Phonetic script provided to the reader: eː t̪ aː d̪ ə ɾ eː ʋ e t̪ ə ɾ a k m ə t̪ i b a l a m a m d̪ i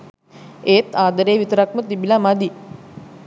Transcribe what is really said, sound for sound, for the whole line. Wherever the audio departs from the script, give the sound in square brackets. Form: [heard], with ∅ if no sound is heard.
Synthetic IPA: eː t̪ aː d̪ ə ɾ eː ʋ [i] t̪ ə ɾ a k m ə t̪ i b [i] l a m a [∅] d̪ i